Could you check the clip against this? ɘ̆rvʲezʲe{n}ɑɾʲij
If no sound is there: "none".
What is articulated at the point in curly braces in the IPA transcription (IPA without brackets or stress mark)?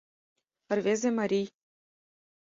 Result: m